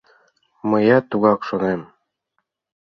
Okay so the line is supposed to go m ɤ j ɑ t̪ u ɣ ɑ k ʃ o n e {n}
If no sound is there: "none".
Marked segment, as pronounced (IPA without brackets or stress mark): m